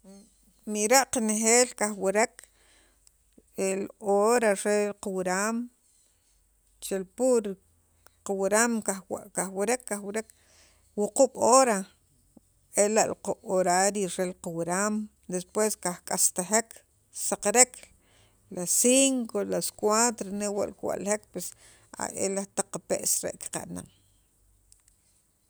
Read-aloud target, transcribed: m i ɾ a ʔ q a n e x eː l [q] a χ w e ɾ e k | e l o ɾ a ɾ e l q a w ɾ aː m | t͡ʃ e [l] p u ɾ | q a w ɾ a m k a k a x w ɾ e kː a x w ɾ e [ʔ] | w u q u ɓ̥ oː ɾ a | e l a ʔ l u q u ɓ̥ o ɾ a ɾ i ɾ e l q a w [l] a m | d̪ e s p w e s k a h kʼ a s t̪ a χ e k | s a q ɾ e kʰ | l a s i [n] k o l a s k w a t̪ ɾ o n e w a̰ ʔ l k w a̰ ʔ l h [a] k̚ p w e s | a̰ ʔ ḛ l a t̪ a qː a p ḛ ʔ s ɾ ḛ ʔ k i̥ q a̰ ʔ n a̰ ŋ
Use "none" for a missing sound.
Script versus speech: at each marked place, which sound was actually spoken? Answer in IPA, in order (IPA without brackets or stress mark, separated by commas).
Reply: k, l, k, ɾ, ŋ, e